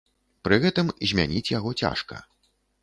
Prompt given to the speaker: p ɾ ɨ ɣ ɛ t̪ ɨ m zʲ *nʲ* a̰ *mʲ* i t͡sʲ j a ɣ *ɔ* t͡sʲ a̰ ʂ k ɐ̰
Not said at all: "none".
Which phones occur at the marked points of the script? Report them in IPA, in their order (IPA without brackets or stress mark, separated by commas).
mʲ, nʲ, ɔ